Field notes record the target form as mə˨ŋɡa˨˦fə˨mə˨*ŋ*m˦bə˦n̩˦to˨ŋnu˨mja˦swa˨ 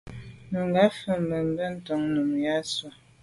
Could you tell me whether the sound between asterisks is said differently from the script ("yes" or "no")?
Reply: yes